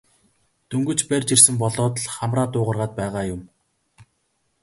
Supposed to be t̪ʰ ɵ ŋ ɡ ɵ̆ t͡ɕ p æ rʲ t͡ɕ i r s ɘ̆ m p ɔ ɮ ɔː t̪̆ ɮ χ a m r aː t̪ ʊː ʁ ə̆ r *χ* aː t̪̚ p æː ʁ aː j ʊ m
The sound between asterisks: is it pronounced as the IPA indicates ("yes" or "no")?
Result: no